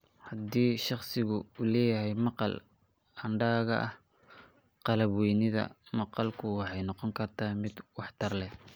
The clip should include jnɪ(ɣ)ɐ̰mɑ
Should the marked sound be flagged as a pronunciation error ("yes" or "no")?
yes